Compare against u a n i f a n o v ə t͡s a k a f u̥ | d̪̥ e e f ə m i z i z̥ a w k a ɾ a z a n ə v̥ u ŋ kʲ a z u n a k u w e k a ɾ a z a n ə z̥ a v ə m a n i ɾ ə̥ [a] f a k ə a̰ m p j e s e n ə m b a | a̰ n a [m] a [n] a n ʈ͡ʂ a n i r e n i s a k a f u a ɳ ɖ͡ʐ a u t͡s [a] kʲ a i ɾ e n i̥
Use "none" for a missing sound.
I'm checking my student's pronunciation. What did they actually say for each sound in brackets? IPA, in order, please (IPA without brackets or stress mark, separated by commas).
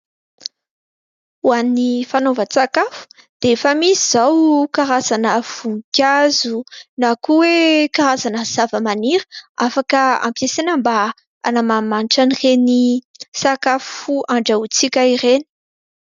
a, m, m, i